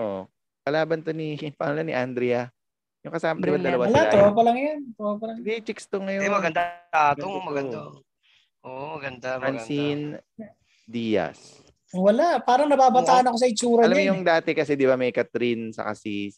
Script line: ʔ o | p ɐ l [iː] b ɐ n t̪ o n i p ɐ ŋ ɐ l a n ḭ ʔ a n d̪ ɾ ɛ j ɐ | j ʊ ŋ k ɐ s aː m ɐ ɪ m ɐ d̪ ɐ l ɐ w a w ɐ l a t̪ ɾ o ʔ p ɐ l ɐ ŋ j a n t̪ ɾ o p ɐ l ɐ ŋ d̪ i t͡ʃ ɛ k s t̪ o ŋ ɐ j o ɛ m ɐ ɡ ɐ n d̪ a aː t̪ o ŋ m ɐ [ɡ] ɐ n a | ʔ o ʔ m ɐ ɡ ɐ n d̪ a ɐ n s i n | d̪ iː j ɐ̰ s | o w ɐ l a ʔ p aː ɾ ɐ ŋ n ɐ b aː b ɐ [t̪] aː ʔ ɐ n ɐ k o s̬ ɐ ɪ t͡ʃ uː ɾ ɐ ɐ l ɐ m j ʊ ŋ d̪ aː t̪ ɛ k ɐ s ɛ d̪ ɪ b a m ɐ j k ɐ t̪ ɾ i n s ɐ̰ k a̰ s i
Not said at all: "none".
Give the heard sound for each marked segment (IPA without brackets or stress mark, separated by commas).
aː, ɡ, t̪